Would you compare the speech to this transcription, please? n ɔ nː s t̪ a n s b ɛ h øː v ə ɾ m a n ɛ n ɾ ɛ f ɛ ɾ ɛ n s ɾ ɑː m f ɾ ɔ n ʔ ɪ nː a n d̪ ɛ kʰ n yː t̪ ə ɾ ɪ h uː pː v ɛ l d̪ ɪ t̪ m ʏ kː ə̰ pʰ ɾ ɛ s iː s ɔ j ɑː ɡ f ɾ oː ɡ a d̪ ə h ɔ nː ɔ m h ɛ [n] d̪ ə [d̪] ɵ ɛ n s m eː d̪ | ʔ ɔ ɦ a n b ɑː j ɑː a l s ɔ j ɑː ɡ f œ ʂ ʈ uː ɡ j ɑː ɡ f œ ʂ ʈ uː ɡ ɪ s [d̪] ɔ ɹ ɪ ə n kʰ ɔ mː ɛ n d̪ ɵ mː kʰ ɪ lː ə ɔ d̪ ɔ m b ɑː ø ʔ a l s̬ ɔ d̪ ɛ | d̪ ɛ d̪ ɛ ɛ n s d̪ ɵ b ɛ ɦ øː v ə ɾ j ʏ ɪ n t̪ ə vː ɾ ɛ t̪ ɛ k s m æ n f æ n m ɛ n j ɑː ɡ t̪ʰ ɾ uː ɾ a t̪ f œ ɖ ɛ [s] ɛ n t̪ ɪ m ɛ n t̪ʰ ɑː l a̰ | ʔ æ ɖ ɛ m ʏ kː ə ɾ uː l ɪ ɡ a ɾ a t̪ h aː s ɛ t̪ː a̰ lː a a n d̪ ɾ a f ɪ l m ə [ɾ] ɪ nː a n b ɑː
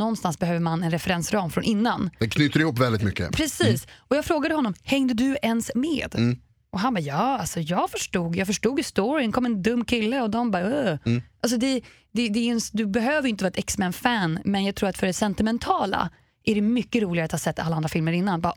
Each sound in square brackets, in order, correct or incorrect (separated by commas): incorrect, correct, incorrect, correct, correct